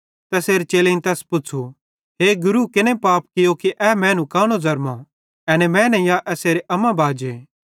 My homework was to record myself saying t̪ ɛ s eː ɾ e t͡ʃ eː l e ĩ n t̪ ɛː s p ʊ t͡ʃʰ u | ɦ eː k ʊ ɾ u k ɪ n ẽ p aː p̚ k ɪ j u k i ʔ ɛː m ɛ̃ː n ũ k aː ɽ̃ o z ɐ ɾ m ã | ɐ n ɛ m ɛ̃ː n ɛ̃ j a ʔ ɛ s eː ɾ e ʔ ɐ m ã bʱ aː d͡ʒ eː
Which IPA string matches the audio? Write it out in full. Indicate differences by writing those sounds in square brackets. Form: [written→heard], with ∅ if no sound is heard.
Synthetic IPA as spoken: t̪ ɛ s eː ɾ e t͡ʃ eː l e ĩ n t̪ ɛː s p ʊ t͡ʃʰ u | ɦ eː [k→ɡ] ʊ ɾ u k ɪ n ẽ p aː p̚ k ɪ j [u→o] k i ʔ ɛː m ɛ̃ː n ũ k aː ɽ̃ o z ɐ ɾ m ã | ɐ n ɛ m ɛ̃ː n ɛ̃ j a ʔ ɛ s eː ɾ e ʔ ɐ m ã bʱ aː d͡ʒ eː